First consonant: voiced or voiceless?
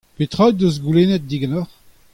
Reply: voiceless